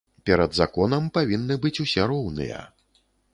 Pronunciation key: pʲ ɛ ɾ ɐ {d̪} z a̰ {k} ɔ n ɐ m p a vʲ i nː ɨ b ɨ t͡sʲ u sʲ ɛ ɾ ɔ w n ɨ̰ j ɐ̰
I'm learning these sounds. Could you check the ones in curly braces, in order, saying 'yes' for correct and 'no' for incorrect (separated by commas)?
yes, yes